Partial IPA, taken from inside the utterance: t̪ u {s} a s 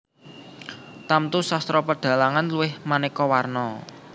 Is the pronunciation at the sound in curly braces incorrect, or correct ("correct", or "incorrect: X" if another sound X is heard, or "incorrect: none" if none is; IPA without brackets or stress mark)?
correct